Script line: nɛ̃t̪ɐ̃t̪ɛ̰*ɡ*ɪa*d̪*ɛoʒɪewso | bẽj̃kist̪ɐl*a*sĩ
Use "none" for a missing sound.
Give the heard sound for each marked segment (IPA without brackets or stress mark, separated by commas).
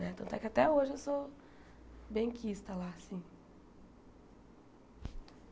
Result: k, t̪, a